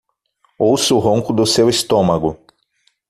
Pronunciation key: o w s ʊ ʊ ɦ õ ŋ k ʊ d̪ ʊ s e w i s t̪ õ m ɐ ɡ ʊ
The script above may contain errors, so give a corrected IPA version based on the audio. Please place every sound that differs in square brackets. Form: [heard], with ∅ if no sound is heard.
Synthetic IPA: o w s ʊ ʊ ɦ õ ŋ k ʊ d̪ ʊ s e w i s t̪ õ m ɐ ɡ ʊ